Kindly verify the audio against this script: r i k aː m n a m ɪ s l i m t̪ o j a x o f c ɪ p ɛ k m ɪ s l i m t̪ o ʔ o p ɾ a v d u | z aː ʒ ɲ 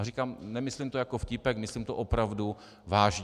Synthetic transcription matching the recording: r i k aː m n ɛ m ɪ s l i m t̪ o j a k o f c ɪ p ɛ k m ɪ s l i m t̪ o ʔ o p ɾ a v d u | v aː ʒ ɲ